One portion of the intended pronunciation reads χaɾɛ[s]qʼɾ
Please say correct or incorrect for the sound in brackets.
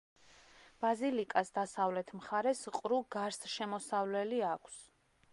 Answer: correct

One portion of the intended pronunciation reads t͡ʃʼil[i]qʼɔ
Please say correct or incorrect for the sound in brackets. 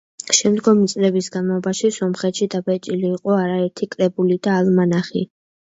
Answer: incorrect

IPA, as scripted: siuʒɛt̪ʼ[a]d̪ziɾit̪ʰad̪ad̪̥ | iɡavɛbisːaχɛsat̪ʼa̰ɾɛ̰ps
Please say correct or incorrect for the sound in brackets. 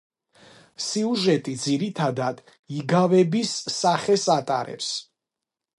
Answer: incorrect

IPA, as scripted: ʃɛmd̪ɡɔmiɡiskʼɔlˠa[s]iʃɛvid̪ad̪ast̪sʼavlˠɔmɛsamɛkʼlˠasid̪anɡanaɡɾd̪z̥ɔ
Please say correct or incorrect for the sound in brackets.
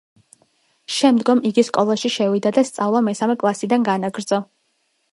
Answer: incorrect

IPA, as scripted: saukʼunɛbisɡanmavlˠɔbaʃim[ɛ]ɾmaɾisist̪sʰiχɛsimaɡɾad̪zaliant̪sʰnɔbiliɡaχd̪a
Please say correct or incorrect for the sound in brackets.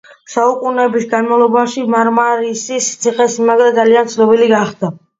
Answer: incorrect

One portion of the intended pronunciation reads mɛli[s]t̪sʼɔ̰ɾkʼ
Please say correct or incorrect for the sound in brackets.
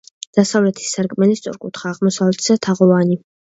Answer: correct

